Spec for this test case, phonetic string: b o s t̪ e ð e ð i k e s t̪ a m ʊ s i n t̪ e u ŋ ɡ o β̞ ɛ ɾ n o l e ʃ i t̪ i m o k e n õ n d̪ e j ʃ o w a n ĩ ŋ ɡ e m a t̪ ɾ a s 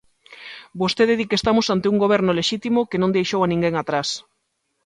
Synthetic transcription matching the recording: b o s t̪ e ð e ð i k e s t̪ a m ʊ s a n t̪ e u ŋ ɡ o β̞ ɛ ɾ n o l e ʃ i t̪ i m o k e n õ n d̪ e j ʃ o w a n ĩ ŋ ɡ e ŋ a t̪ ɾ a s